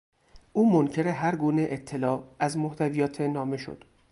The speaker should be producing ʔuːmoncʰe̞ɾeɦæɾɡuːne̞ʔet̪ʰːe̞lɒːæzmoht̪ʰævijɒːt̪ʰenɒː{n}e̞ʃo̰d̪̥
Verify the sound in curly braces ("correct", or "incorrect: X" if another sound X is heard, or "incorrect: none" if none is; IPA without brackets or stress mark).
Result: incorrect: m